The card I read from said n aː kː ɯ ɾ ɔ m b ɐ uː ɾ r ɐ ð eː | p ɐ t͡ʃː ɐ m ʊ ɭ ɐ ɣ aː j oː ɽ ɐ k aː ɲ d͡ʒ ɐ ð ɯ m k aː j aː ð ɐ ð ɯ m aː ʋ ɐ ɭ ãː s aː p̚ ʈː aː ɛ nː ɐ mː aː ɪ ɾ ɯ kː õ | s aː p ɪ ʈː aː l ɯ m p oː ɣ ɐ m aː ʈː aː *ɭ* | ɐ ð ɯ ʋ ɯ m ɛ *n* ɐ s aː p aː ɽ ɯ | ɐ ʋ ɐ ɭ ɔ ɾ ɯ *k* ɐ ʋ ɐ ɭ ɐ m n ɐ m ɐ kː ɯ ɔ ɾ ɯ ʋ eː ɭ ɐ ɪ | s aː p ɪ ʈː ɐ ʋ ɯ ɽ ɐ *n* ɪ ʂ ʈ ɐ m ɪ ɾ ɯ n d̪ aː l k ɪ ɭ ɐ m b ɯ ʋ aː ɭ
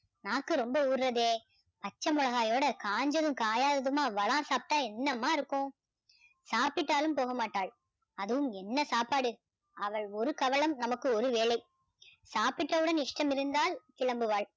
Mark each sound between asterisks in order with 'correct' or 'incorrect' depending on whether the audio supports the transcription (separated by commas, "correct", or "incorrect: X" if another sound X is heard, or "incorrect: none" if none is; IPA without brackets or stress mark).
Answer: correct, incorrect: nː, correct, correct